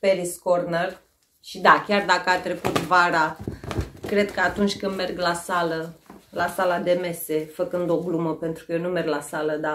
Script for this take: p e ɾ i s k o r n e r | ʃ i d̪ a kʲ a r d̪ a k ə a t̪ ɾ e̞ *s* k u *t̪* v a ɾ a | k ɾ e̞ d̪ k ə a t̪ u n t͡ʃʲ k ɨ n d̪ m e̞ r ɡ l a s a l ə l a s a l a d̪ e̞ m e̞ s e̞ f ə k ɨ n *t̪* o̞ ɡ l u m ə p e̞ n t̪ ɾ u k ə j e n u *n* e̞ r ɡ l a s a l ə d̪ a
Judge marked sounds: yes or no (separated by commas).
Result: no, yes, no, no